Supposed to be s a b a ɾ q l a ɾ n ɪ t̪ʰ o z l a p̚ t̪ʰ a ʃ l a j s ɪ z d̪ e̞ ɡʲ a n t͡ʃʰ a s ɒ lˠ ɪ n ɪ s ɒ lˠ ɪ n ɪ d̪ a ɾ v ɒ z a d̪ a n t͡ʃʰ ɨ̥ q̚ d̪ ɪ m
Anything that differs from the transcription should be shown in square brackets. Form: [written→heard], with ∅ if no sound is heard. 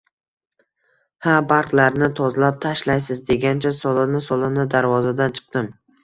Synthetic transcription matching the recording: [s→h] a b a ɾ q l a ɾ n ɪ t̪ʰ [o→ɒ] z l a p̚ t̪ʰ a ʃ l a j s ɪ z d̪ e̞ ɡʲ a n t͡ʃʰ a s ɒ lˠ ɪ n ɪ s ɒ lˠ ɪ n ɪ d̪ a ɾ v ɒ z a d̪ a n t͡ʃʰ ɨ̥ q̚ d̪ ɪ m